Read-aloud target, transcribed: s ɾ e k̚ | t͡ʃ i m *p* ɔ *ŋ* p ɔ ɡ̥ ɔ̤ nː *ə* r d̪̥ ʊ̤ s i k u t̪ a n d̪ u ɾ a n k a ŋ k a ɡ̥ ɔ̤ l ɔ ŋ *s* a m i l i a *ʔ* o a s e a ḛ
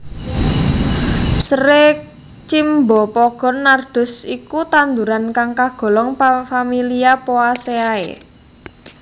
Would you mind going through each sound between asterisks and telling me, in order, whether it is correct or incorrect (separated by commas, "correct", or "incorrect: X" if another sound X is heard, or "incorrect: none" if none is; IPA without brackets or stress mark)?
incorrect: b, incorrect: none, incorrect: a, incorrect: f, incorrect: p